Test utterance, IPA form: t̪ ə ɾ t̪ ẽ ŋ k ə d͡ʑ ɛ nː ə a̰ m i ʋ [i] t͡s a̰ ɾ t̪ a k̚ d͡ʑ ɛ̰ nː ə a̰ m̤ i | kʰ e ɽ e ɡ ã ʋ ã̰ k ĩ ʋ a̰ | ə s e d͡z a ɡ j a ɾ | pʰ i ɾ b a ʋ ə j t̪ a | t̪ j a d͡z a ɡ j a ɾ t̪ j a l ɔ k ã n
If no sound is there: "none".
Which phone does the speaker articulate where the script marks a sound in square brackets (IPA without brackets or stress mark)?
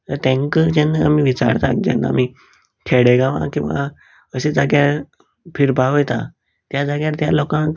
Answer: i